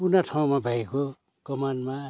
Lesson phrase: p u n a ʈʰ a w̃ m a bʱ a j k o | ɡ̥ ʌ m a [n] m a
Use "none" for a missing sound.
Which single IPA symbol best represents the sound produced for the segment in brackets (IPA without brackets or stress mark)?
n